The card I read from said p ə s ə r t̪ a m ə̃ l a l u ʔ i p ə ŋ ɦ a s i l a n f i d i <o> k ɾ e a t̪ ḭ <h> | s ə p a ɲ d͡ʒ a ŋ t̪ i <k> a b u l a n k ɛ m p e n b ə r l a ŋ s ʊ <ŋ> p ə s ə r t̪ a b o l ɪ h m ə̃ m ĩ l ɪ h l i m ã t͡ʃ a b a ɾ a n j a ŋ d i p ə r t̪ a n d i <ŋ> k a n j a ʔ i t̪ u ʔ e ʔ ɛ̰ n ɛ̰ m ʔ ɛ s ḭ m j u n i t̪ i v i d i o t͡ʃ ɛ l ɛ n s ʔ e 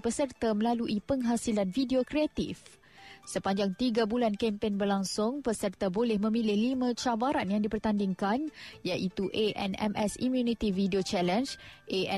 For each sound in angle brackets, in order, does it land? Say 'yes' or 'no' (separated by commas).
yes, no, no, yes, yes